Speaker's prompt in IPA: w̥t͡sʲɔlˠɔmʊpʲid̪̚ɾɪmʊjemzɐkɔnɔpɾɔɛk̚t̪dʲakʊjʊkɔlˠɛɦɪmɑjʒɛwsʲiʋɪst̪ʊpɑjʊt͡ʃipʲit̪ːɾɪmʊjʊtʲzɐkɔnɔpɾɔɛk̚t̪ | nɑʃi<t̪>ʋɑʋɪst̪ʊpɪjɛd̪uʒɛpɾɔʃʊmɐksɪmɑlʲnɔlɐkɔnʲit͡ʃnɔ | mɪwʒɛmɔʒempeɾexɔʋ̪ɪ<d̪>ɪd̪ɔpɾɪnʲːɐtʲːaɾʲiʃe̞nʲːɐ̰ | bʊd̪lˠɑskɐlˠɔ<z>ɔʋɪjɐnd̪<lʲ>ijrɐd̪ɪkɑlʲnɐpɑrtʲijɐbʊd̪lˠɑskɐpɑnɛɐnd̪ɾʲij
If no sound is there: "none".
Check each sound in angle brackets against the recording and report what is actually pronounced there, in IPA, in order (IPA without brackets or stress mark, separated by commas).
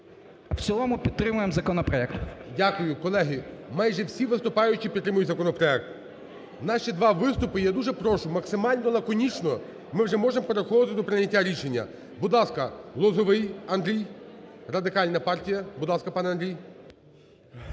d̪, t̪, z, ɾʲ